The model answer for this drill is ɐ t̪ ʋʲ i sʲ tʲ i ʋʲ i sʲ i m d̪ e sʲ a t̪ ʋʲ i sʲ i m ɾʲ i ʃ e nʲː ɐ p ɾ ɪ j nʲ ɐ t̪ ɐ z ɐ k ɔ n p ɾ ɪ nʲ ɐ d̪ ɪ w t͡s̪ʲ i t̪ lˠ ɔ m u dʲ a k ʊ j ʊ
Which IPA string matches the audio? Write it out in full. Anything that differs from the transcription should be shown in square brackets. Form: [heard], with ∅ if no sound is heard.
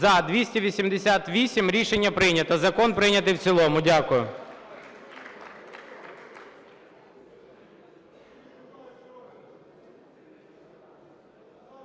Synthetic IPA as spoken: ɐ [d̪] ʋʲ i sʲ tʲ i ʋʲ i sʲ i m d̪ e sʲ a t̪ ʋʲ i sʲ i m ɾʲ i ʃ e nʲː ɐ p ɾ ɪ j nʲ ɐ t̪ ɐ z ɐ k ɔ n p ɾ ɪ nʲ ɐ [t̪] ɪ w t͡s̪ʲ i [∅] lˠ ɔ m [ʊ] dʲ a k ʊ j ʊ

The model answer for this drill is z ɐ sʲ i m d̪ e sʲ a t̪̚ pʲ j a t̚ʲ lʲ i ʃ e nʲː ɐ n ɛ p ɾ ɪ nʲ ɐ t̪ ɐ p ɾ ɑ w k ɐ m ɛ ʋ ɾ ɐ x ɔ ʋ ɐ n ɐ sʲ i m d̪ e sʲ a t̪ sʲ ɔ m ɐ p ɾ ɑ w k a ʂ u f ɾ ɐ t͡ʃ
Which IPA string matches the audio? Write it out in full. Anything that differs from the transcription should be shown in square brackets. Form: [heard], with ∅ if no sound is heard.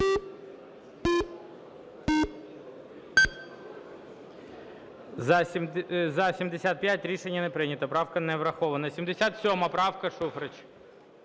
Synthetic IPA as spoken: z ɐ sʲ i m d̪ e sʲ a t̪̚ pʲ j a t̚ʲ [ɾʲ] i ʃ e nʲː ɐ n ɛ p ɾ ɪ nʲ ɐ t̪ ɐ p ɾ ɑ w k ɐ [n] ɛ ʋ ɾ ɐ x ɔ ʋ ɐ n ɐ sʲ i m d̪ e sʲ a t̪ sʲ ɔ m ɐ p ɾ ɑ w k [ɐ] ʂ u f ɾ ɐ t͡ʃ

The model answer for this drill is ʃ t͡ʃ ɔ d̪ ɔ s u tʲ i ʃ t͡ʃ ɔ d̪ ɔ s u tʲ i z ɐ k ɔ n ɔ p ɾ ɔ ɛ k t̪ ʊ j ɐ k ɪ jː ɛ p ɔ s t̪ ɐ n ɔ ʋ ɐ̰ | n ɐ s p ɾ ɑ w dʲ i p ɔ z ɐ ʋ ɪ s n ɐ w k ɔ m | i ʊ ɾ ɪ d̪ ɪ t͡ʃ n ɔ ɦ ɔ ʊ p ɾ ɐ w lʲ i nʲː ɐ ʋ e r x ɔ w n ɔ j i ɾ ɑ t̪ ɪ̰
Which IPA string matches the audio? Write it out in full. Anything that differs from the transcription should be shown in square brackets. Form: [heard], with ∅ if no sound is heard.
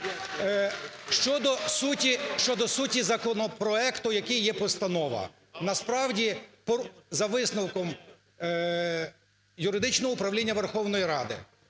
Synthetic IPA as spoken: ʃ t͡ʃ ɔ d̪ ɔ s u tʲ i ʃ t͡ʃ ɔ d̪ ɔ s u tʲ i z ɐ k ɔ n ɔ p ɾ ɔ ɛ k t̪ ʊ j ɐ k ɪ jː ɛ p ɔ s t̪ ɐ n ɔ ʋ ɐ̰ | n ɐ s p ɾ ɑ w dʲ i p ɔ z ɐ ʋ ɪ s n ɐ w k ɔ m | [j] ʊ ɾ ɪ d̪ ɪ t͡ʃ n ɔ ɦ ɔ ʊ p ɾ ɐ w lʲ i nʲː ɐ ʋ e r x ɔ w n ɔ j i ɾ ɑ [d̪] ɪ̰

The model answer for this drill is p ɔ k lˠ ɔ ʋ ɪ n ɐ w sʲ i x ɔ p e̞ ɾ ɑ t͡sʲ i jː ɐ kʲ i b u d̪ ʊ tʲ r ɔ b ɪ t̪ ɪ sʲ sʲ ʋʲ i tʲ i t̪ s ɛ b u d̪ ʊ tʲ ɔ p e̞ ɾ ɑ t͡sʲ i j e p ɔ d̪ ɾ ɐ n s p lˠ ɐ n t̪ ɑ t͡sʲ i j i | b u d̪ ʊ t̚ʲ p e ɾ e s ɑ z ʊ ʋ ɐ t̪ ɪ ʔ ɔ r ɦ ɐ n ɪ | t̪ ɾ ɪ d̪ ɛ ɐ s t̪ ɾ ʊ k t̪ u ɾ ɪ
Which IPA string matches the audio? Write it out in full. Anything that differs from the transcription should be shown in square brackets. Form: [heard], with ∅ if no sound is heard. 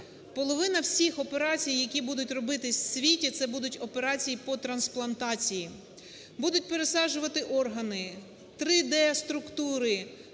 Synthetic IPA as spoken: p ɔ [∅] lˠ ɔ ʋ ɪ n ɐ w sʲ i x ɔ p e̞ ɾ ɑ t͡sʲ i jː ɐ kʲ i b u d̪ ʊ tʲ r ɔ b ɪ t̪ ɪ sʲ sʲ ʋʲ i tʲ i t̪ s ɛ b u d̪ ʊ tʲ ɔ p e̞ ɾ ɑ t͡sʲ i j [i] p ɔ [t̪] ɾ ɐ n s p lˠ ɐ n t̪ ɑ t͡sʲ i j i | b u d̪ ʊ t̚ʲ p e ɾ e s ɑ [ʒ] ʊ ʋ ɐ t̪ ɪ ʔ ɔ r ɦ ɐ n ɪ | t̪ ɾ ɪ d̪ ɛ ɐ s t̪ ɾ ʊ k t̪ u ɾ ɪ

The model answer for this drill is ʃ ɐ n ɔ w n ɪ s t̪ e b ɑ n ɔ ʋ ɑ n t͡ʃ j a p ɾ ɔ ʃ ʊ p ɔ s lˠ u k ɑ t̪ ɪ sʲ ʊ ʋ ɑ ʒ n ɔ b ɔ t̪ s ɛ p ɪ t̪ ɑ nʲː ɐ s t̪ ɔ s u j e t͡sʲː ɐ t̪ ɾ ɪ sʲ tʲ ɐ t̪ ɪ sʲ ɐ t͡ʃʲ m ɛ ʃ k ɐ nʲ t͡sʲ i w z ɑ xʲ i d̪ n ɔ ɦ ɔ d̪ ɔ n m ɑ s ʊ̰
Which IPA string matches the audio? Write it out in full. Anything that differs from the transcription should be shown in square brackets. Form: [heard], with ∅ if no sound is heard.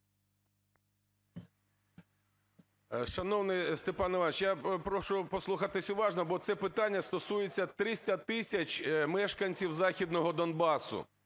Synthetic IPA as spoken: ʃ ɐ n ɔ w n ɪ s t̪ e [p] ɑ n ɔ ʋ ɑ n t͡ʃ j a p ɾ ɔ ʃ ʊ p ɔ s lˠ u [x] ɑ t̪ ɪ sʲ ʊ ʋ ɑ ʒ n ɔ b ɔ t̪ s ɛ p ɪ t̪ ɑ nʲː ɐ s t̪ ɔ s u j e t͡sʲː ɐ t̪ ɾ ɪ sʲ tʲ ɐ t̪ ɪ sʲ ɐ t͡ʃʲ m ɛ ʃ k ɐ nʲ t͡sʲ i w z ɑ xʲ i d̪ n ɔ ɦ ɔ d̪ ɔ n [b] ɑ s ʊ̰

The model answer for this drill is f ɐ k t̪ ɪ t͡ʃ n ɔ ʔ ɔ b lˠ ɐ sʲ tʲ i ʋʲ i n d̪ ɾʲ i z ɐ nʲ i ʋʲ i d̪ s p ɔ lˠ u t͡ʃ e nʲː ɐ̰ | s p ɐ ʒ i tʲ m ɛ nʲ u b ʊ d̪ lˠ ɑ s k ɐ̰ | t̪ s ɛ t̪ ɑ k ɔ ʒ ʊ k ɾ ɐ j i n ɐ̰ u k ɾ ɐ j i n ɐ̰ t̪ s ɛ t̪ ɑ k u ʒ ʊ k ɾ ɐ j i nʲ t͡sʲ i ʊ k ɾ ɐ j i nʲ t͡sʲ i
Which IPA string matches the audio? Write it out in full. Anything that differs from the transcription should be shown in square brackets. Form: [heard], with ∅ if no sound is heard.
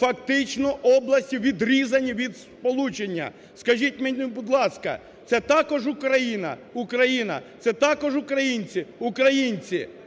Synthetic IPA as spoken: f ɐ k t̪ ɪ t͡ʃ n ɔ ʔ ɔ b lˠ ɐ sʲ tʲ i ʋʲ i [∅] d̪ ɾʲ i z ɐ nʲ i ʋʲ i d̪ s p ɔ lˠ u t͡ʃ e nʲː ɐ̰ | s [k] ɐ ʒ i tʲ m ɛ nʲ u b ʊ d̪ lˠ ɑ s k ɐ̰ | t̪ s ɛ t̪ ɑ k ɔ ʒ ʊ k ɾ ɐ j i n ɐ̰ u k ɾ ɐ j i n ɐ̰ t̪ s ɛ t̪ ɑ k [ɔ] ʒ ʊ k ɾ ɐ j i nʲ t͡sʲ i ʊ k ɾ ɐ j i nʲ t͡sʲ i

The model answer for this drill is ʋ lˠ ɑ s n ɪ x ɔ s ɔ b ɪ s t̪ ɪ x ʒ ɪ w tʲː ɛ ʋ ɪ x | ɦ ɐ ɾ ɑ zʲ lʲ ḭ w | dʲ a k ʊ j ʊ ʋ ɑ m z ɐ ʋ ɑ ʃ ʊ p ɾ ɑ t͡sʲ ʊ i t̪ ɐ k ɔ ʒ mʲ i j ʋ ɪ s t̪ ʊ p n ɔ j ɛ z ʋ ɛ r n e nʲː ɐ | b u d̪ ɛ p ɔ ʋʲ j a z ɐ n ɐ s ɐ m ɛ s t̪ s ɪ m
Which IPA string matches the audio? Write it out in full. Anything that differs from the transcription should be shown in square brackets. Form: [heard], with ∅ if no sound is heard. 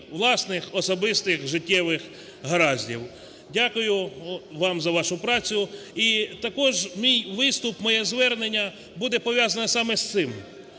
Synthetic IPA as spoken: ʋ lˠ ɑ s n ɪ x ɔ s ɔ b ɪ s t̪ ɪ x ʒ ɪ [∅] tʲː ɛ ʋ ɪ x | ɦ ɐ ɾ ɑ zʲ lʲ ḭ w | dʲ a k ʊ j ʊ ʋ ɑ m z ɐ ʋ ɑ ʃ ʊ p ɾ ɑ t͡sʲ ʊ i t̪ ɐ k ɔ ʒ mʲ i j ʋ ɪ s t̪ ʊ p [m] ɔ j ɛ z ʋ ɛ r n e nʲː ɐ | b u d̪ ɛ p ɔ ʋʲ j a z ɐ n ɐ s [ɑ] m ɛ s t̪ s ɪ m

